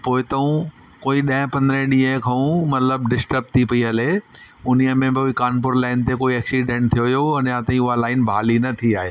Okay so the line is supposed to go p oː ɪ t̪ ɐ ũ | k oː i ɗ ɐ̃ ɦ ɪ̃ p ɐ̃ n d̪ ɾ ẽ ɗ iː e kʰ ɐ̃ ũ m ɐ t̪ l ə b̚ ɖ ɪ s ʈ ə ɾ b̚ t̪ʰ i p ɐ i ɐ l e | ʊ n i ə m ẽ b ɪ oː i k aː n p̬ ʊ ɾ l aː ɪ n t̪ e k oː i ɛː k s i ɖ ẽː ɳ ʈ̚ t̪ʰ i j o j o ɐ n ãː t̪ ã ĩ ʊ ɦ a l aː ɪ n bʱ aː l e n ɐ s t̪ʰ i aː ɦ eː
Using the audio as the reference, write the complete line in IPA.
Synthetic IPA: p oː ɪ t̪ ɐ ũ | k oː i ɗ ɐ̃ ɦ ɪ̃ p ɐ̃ n d̪ ɾ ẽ ɗ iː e kʰ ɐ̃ ũ m ɐ t̪ l ə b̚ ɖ ɪ s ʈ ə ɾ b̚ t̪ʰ i p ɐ i ɐ l e | ʊ n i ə m ẽ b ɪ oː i k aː n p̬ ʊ ɾ l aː ɪ n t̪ e k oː i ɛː k s i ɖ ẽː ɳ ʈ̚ t̪ʰ i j o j o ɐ n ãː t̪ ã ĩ ʊ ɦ a l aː ɪ n bʱ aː l i n ɐ t̪ʰ i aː ɦ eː

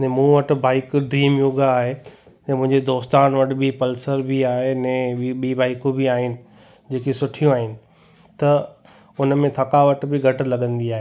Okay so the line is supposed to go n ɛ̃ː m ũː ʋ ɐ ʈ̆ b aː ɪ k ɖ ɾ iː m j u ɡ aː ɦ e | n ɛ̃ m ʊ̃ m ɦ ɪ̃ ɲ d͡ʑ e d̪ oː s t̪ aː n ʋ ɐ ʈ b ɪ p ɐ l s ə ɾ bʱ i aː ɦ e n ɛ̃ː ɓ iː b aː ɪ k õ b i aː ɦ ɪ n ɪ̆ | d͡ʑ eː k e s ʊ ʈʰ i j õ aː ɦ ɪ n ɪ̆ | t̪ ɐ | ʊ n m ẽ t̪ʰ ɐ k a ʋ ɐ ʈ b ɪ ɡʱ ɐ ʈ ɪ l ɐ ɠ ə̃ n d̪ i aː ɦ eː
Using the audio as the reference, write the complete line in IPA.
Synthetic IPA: n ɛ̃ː m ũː ʋ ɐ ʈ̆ b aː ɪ k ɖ ɾ iː m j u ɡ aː ɦ e | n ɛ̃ m ʊ̃ ɦ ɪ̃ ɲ d͡ʑ e d̪ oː s t̪ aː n ʋ ɐ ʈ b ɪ p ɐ l s ə ɾ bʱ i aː ɦ e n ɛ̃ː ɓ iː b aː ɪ k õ b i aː ɦ ɪ n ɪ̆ | d͡ʑ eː k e s ʊ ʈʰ i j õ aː ɦ ɪ n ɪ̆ | t̪ ɐ | ʊ n m ẽ t̪ʰ ɐ k a ʋ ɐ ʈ b ɪ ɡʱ ɐ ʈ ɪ l ɐ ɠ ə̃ n d̪ i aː ɦ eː

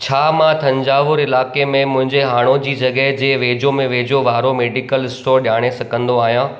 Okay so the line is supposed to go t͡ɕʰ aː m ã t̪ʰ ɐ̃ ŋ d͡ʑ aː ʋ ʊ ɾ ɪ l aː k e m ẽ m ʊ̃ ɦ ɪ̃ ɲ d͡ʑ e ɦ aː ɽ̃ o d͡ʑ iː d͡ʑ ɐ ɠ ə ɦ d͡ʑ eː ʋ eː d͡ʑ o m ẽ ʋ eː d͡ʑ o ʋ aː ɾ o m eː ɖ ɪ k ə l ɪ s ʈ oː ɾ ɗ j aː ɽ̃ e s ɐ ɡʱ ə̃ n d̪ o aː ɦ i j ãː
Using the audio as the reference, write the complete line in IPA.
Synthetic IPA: t͡ɕʰ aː m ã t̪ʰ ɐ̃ ɲ d͡ʑ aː ʋ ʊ ɾ ɪ l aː k e m ẽ m ʊ̃ ɦ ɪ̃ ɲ d͡ʑ e ɦ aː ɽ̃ o d͡ʑ iː d͡ʑ ɐ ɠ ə ɦ d͡ʑ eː ʋ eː d͡ʑ o m ẽ ʋ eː d͡ʑ o ʋ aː ɾ o m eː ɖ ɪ k ə l ɪ s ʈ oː ɾ ɗ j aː ɽ̃ e s ɐ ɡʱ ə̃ n d̪ o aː ɦ i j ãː

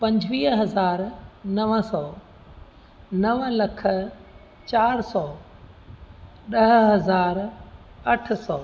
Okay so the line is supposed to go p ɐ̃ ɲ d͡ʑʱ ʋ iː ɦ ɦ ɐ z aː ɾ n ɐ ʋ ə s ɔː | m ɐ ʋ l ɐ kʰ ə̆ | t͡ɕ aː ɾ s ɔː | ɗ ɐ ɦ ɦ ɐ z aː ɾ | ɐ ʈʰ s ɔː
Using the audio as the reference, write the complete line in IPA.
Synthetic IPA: p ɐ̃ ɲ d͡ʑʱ ʋ iː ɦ ɦ ɐ z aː ɾ n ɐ ʋ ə s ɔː | n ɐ ʋ l ɐ kʰ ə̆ | t͡ɕ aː ɾ s ɔː | ɗ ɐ ɦ ɦ ɐ z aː ɾ | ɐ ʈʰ s ɔː

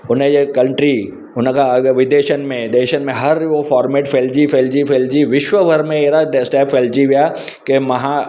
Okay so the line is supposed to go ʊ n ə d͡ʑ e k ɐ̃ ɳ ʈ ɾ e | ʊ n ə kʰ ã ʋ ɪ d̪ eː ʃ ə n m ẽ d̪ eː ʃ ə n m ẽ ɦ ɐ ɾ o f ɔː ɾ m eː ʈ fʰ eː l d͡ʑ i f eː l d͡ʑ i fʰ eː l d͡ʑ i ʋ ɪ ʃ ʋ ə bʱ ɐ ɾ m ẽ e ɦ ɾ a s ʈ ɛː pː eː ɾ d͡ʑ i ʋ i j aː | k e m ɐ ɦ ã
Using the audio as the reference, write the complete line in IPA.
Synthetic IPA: ʊ n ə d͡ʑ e k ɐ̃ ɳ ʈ ɾ i | ʊ n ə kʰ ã ʋ ɪ d̪ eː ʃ ə n m ẽ d̪ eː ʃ ə n m ẽ ɦ ɐ ɾ o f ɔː ɾ m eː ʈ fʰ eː l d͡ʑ i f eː l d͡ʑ i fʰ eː l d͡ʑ i ʋ ɪ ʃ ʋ ə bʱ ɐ ɾ m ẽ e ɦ ɾ a s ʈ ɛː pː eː l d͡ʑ i ʋ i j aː | k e m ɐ ɦ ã

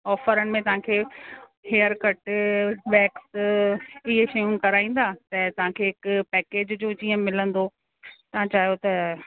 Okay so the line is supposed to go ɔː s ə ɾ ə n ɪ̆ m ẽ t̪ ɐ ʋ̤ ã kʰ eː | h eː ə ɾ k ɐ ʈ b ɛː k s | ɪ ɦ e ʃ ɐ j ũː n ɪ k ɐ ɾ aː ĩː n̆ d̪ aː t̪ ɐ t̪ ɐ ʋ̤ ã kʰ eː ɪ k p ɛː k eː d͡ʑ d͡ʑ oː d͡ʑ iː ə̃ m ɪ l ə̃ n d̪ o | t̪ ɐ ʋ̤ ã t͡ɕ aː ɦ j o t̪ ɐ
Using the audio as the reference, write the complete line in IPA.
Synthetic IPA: ɔː f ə ɾ ə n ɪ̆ m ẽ t̪ ɐ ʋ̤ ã kʰ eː | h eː ə ɾ k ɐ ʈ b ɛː k s | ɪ ɦ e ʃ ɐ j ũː n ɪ k ɐ ɾ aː ĩː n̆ d̪ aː t̪ ɐ t̪ ɐ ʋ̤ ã kʰ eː ɪ k p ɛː k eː d͡ʑ d͡ʑ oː d͡ʑ iː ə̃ m ɪ l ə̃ n d̪ o | t̪ ɐ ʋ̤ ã t͡ɕ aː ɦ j o t̪ ɐ

